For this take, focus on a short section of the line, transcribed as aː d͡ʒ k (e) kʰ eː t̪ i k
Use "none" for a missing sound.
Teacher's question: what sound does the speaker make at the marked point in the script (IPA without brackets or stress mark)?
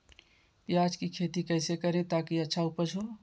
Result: i